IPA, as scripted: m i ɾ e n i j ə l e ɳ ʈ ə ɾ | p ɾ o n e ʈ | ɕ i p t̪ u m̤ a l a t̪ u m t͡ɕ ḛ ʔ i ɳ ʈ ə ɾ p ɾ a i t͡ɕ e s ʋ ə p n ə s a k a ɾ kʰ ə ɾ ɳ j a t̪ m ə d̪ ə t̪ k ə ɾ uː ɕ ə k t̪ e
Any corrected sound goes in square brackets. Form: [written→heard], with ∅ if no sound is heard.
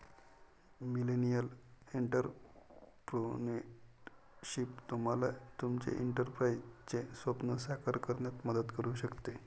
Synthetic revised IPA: m i [ɾ→l] e n i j ə l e ɳ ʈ ə ɾ | p ɾ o n e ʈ | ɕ i p t̪ u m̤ a l a t̪ u m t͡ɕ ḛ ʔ i ɳ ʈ ə ɾ p ɾ a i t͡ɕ e s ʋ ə p n ə s a k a ɾ [kʰ→k] ə ɾ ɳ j a t̪ m ə d̪ ə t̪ k ə ɾ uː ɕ ə k t̪ e